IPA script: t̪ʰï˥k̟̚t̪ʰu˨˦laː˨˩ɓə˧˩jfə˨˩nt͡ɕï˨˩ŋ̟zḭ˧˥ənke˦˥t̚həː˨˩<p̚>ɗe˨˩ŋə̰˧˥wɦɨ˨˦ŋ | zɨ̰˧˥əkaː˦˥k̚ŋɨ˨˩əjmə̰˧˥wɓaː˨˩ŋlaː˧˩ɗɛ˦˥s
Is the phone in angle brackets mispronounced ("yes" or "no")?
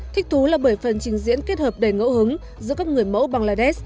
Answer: no